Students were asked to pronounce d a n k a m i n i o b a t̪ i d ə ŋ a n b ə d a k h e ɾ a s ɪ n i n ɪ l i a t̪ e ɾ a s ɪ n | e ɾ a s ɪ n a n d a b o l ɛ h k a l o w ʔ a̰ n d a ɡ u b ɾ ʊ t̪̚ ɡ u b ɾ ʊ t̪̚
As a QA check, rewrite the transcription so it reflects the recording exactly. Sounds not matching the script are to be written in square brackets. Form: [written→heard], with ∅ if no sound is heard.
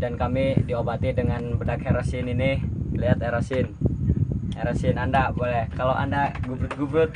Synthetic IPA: d a n k a m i [n→d] i o b a t̪ i d ə ŋ a n b ə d a k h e ɾ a s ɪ n i n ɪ l i a t̪ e ɾ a s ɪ n | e ɾ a s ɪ n a n d a b o l ɛ h k a l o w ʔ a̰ n d a ɡ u b ɾ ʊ t̪̚ ɡ u b ɾ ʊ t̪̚